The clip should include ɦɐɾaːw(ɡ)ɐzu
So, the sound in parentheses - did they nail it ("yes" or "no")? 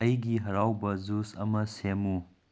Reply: no